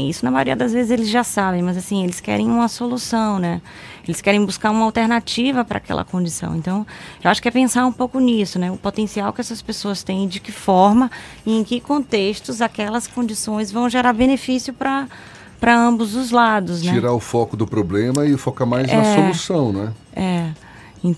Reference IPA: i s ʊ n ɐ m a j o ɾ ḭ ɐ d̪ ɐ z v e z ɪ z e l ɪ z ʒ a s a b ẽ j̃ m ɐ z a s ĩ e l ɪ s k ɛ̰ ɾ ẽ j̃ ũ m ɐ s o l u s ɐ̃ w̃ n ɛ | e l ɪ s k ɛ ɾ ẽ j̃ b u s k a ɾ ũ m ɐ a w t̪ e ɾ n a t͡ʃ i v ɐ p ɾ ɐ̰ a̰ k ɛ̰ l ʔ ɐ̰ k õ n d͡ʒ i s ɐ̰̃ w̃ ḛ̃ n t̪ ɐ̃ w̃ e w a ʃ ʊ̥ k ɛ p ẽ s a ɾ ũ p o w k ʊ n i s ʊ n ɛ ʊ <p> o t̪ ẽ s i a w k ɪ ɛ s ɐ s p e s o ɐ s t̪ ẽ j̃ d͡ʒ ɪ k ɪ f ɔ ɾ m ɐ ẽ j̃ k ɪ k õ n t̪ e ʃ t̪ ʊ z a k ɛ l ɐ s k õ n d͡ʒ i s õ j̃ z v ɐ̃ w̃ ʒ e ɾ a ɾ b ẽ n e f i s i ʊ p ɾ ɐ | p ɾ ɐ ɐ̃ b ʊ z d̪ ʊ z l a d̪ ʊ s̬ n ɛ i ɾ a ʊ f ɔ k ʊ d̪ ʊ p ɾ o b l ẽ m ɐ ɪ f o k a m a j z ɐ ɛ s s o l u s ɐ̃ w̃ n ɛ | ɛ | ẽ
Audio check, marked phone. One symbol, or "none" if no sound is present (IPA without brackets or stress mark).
p